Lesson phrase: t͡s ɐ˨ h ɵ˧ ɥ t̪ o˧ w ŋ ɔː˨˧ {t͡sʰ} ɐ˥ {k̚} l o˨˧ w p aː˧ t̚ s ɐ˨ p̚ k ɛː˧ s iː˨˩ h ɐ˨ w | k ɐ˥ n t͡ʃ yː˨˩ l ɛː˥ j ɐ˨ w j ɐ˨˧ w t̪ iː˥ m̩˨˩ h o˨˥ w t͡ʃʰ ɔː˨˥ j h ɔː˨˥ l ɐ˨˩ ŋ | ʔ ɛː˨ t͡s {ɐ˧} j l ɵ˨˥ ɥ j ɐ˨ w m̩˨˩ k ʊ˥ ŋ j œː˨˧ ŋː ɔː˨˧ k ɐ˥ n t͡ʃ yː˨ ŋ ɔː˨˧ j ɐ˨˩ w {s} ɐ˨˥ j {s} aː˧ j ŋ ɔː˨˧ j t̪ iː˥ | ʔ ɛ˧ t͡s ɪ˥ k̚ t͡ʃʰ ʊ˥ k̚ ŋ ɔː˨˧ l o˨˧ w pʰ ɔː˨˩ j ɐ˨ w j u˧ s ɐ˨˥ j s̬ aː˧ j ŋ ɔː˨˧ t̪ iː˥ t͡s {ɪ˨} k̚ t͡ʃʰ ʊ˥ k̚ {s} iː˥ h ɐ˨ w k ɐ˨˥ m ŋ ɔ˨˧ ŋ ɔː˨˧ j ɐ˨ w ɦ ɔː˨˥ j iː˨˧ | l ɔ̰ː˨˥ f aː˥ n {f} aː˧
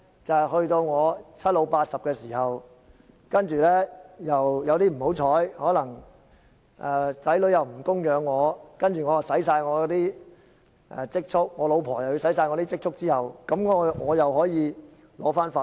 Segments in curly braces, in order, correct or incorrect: correct, incorrect: t̚, incorrect: ɐ˨˥, correct, correct, incorrect: ɪ˥, incorrect: t͡s, correct

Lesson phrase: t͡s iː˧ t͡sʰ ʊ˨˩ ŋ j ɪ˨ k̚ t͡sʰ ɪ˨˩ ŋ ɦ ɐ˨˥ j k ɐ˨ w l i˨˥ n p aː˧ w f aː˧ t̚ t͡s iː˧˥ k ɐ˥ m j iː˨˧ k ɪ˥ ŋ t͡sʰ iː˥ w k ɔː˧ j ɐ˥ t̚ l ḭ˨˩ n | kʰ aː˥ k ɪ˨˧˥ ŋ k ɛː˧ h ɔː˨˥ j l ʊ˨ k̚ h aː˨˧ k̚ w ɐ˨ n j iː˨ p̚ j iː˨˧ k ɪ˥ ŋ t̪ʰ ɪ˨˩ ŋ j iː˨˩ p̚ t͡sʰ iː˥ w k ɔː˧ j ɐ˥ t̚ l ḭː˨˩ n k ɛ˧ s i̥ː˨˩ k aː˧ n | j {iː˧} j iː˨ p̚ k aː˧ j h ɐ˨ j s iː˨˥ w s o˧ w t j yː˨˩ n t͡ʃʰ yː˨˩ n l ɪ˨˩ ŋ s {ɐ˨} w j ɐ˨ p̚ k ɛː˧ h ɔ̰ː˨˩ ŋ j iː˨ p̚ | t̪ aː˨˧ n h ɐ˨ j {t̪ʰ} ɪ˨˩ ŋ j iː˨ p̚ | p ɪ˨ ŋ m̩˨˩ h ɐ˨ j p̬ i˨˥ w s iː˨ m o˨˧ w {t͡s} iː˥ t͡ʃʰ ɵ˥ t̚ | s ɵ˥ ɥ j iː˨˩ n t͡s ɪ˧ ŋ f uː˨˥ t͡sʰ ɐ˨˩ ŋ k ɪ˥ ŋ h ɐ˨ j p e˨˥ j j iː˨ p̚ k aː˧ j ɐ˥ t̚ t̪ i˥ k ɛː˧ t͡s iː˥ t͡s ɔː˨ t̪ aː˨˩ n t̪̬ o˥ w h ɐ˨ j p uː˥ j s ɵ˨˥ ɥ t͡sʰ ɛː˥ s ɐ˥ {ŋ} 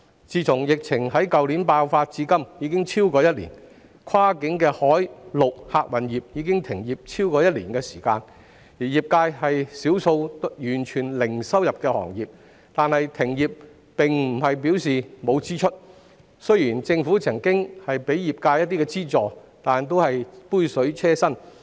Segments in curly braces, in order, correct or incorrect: incorrect: iː˨˩, incorrect: ɐ˥, correct, correct, incorrect: n

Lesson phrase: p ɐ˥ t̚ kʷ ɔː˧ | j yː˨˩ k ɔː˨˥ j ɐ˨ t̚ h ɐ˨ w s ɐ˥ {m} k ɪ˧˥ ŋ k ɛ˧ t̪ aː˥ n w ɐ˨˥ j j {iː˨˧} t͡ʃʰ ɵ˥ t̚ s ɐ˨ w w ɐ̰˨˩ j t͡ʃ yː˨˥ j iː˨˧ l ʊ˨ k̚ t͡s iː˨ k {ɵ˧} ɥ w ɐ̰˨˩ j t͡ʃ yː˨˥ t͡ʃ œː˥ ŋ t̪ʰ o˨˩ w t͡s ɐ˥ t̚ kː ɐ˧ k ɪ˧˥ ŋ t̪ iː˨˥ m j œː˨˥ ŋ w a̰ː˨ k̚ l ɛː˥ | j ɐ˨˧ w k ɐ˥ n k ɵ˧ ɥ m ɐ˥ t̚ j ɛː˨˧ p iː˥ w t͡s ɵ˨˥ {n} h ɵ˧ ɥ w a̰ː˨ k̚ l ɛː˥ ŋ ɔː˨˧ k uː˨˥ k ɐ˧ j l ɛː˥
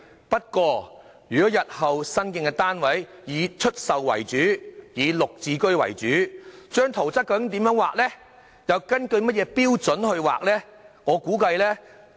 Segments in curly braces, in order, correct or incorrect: incorrect: n, correct, incorrect: ɵ˥, correct

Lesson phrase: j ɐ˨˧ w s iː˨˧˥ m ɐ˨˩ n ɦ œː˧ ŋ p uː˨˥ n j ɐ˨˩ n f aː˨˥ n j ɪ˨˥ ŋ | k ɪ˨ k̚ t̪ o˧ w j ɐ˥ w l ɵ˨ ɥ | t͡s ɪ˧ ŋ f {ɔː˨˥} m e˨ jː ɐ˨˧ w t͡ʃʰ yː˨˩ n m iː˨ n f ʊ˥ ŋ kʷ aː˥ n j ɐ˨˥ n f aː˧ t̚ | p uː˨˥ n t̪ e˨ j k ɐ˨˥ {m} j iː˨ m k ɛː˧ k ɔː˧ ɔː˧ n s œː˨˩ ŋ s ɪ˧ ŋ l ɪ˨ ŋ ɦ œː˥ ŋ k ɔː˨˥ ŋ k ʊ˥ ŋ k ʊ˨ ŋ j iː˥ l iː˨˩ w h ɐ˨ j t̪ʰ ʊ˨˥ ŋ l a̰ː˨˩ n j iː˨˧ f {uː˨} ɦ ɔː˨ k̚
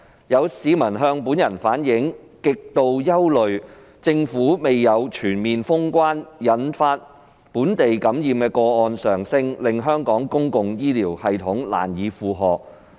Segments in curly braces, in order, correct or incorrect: incorrect: uː˨˥, correct, correct

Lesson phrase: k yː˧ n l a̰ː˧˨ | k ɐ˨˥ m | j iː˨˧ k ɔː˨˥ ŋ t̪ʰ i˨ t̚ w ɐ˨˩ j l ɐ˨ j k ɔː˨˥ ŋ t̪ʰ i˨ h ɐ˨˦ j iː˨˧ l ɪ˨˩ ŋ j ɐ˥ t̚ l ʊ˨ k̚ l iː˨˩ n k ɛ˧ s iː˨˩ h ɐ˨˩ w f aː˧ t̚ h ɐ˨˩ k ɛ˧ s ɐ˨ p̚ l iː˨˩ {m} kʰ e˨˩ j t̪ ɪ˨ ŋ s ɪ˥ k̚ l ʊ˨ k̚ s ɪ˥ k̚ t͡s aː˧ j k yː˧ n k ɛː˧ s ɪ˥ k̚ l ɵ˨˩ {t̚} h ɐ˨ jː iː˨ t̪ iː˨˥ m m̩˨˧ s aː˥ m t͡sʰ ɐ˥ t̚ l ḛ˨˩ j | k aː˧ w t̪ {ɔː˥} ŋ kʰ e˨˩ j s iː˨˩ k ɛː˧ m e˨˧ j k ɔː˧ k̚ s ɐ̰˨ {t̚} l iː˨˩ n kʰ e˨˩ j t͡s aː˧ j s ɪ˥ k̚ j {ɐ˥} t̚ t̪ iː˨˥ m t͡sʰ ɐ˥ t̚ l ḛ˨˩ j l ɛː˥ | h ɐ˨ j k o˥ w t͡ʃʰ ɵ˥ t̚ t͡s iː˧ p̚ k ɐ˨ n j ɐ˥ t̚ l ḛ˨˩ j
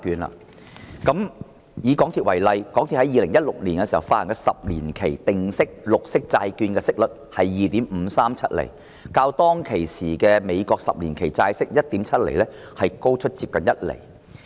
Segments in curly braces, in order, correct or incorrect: incorrect: n, correct, correct, incorrect: p̚, correct

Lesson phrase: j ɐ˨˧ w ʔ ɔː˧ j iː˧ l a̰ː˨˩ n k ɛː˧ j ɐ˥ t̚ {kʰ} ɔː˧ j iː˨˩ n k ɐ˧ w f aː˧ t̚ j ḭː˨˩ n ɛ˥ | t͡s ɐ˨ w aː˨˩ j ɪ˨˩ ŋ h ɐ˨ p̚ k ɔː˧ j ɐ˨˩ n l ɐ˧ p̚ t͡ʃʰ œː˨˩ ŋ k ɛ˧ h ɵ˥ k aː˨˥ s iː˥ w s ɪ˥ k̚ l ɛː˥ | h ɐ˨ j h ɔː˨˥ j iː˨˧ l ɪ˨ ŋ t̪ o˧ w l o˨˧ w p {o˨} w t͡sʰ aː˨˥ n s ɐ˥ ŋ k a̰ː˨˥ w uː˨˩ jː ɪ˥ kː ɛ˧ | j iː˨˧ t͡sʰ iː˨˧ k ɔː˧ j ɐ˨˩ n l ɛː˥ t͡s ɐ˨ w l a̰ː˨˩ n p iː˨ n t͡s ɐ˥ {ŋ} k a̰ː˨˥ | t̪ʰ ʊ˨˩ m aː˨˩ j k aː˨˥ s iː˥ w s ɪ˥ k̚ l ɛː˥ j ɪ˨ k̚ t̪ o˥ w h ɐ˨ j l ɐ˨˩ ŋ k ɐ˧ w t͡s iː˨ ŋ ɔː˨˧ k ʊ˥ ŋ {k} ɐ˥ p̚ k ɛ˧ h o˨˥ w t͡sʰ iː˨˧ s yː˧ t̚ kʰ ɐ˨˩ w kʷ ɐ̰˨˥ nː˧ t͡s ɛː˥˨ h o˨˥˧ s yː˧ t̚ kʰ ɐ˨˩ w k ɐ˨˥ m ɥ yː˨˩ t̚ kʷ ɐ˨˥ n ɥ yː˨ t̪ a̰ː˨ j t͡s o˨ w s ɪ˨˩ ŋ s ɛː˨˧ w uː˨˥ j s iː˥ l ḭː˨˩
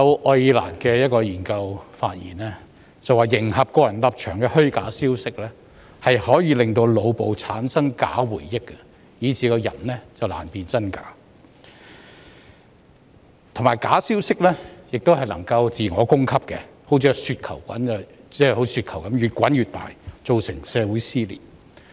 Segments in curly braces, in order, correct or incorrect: incorrect: k, correct, incorrect: n, incorrect: kʰ

